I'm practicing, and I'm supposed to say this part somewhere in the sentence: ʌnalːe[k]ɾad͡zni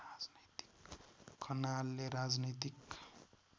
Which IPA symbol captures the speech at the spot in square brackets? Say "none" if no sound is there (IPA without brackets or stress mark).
none